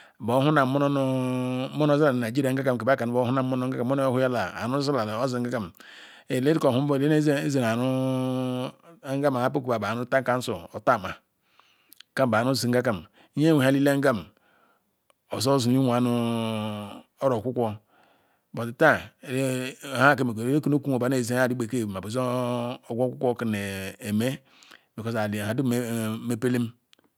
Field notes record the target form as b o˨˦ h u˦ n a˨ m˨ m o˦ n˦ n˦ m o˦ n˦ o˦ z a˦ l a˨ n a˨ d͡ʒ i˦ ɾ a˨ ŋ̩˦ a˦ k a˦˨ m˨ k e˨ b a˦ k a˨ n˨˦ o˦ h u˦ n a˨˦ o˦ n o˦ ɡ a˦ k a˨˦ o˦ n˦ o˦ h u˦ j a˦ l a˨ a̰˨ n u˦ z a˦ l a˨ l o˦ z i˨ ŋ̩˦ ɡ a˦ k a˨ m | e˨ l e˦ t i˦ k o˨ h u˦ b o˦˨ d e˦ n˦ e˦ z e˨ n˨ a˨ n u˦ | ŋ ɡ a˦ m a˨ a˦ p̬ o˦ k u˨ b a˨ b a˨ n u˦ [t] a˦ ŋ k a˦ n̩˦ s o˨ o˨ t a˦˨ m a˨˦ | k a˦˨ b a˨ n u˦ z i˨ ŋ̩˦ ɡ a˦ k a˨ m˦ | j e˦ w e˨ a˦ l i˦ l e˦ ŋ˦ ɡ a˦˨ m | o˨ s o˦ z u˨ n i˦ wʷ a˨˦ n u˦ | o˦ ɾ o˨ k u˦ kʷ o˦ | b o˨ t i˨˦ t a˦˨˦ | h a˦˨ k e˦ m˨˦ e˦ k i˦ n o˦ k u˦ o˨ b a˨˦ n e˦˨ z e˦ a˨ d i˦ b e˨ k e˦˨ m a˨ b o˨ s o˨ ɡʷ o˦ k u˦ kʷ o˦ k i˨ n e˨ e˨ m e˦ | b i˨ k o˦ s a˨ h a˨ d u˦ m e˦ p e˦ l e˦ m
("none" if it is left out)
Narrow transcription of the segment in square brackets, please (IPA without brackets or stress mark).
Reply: t